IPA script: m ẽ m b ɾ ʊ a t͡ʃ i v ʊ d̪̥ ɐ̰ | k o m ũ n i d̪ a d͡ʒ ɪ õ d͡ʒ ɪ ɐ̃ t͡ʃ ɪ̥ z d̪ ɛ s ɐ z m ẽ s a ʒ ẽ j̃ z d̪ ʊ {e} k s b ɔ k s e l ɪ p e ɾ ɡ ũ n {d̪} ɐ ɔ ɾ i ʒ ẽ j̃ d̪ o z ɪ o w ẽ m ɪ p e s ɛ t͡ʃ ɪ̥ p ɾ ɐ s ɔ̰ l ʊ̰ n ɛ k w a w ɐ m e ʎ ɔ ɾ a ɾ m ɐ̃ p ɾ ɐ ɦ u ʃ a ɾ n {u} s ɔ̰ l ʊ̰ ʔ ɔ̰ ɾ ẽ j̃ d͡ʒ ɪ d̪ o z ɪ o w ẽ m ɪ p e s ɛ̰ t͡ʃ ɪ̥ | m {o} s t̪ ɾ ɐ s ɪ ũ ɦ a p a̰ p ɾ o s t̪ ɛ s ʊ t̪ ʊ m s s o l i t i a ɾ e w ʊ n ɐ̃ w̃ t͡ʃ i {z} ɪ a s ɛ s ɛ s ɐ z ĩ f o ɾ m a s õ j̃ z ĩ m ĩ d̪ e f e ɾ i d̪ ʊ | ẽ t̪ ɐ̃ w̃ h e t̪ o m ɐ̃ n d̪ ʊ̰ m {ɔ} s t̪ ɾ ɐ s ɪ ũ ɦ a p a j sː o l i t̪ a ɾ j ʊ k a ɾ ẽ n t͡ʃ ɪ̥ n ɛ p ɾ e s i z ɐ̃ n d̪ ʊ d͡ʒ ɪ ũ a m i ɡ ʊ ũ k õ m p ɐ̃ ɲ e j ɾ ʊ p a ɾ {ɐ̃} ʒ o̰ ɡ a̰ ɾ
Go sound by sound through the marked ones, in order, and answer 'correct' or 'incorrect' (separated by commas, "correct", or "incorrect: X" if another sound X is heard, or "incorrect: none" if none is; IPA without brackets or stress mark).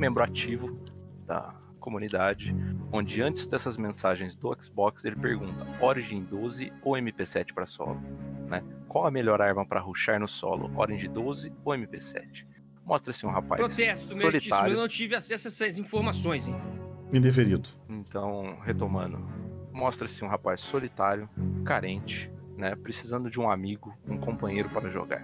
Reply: incorrect: ɛ, incorrect: t̪, incorrect: ʊ, incorrect: ɔ, incorrect: v, correct, incorrect: ɐ